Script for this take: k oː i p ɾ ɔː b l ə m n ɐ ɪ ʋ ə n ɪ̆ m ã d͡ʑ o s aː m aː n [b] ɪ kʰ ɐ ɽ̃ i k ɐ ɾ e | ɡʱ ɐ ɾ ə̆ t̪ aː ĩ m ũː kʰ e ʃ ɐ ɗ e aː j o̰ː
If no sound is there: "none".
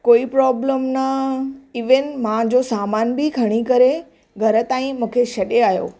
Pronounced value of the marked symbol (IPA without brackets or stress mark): b